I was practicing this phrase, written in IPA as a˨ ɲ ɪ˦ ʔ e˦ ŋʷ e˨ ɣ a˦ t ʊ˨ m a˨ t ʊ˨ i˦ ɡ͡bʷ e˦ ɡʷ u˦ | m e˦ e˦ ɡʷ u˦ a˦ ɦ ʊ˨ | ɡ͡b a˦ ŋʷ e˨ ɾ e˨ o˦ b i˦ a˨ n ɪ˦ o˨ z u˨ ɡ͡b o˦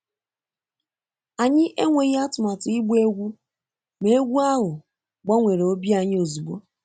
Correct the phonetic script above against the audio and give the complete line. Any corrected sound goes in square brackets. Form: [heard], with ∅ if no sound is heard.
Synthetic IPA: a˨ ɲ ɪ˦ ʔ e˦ ŋʷ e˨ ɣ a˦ t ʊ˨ m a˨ t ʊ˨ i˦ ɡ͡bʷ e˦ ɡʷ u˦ | m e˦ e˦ ɡʷ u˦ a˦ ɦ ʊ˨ | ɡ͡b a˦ ŋʷ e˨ ɾ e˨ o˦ b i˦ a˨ [ɲ] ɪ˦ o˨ z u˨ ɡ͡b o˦